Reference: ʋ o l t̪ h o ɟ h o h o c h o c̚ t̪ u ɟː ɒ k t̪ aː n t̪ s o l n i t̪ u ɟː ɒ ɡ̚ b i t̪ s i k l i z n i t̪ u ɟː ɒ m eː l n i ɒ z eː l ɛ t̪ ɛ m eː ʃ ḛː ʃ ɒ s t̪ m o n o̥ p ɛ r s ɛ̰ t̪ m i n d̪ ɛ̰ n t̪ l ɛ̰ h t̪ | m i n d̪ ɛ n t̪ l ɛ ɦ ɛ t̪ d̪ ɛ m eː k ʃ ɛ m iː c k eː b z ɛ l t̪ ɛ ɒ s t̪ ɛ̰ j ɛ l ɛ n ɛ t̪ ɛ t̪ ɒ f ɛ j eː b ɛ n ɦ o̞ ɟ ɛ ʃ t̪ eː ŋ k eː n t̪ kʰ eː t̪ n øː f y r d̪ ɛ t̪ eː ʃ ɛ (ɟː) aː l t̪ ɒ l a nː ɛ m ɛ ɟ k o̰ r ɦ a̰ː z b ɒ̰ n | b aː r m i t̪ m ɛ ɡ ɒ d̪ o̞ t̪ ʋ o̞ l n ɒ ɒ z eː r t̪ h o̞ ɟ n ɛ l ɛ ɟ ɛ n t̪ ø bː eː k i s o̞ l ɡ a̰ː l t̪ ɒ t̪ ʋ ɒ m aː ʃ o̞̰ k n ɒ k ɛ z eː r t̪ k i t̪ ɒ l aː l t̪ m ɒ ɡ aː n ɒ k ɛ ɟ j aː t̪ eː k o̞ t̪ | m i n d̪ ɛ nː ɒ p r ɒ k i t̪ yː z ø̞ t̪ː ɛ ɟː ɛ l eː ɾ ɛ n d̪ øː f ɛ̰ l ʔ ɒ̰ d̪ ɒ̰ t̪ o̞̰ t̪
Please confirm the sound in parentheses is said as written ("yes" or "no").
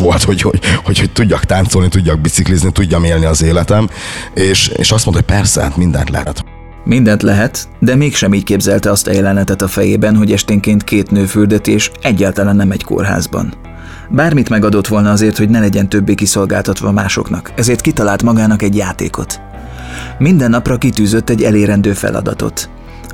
yes